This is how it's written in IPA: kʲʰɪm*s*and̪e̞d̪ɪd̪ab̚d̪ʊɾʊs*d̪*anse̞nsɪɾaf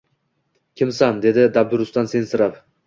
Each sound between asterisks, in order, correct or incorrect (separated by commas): correct, incorrect